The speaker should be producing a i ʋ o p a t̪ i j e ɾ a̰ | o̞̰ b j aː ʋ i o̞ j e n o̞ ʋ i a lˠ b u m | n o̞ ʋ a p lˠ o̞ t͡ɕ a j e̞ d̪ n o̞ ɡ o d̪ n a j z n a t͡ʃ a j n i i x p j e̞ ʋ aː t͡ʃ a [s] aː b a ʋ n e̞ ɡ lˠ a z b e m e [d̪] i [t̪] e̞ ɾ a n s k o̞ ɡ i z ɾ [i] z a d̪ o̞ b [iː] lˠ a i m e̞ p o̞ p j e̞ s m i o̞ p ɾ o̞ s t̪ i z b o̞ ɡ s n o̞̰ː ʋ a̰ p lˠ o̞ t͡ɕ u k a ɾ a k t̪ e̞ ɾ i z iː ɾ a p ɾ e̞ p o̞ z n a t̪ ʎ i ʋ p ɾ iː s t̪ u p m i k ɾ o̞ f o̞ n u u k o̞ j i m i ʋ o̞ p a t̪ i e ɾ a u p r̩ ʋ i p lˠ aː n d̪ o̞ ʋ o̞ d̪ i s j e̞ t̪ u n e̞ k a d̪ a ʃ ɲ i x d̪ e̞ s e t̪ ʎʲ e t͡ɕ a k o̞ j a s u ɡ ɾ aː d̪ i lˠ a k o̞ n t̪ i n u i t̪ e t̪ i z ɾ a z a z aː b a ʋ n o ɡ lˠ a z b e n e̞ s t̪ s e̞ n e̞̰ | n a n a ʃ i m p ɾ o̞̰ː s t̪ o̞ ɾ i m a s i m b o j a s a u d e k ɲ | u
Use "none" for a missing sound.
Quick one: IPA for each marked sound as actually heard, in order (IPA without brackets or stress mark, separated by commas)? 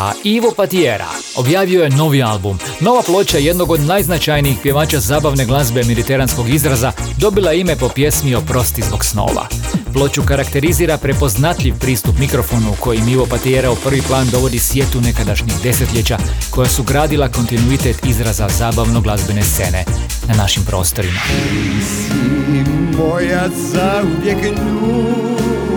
z, d̪, t̪, a, i